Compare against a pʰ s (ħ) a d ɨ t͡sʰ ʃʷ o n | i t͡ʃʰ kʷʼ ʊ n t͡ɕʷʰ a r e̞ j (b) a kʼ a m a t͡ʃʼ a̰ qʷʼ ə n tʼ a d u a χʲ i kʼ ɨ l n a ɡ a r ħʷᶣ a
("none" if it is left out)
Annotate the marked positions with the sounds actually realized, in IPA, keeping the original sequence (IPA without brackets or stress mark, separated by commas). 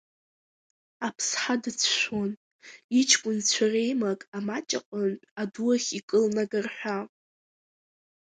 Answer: ħ, m